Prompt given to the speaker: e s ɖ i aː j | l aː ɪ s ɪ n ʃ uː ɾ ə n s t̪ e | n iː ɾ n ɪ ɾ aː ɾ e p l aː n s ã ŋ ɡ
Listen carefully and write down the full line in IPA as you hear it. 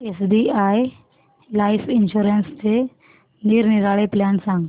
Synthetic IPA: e s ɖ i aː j | l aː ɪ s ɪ n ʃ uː ɾ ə n s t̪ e | n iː ɾ n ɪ ɾ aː ɭ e p l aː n s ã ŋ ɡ